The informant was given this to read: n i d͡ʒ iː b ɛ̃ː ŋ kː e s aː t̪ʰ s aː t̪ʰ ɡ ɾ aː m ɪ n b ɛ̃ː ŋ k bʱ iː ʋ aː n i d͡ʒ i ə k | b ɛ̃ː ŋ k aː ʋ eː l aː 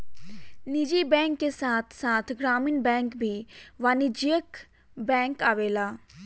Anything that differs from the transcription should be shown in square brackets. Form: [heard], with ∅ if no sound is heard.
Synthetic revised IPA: n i d͡ʒ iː b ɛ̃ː ŋ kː e s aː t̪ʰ s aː t̪ʰ ɡ ɾ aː m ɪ n b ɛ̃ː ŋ k bʱ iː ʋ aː n i d͡ʒ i ə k | b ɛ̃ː ŋ k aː ʋ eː l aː